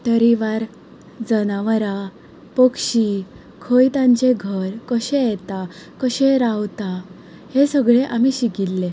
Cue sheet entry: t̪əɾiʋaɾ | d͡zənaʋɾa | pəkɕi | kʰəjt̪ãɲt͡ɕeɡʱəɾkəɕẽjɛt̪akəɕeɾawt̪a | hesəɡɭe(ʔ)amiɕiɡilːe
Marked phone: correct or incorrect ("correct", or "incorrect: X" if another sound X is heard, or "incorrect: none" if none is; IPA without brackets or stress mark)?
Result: correct